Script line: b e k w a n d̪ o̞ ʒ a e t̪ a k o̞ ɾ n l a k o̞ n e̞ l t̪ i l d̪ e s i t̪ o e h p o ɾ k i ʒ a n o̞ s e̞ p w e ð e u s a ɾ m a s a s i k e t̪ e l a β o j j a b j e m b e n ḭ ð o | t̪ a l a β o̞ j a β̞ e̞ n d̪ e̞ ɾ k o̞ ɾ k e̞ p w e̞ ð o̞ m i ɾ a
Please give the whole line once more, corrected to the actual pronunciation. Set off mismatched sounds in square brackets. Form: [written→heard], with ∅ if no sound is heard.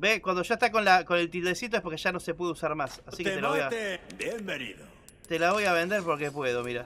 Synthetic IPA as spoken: b e k w a n d̪ o̞ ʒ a e t̪ a k o̞ [ɾ→∅] n l a k o̞ n e̞ l t̪ i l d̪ e s i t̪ o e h p o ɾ k [i→e] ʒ a n o̞ s e̞ p w e ð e u s a ɾ m a s a s i k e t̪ e l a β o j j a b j e m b e n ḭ ð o | t̪ [a→e] l a β o̞ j a β̞ e̞ n d̪ e̞ ɾ [k→p] o̞ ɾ k e̞ p w e̞ ð o̞ m i ɾ a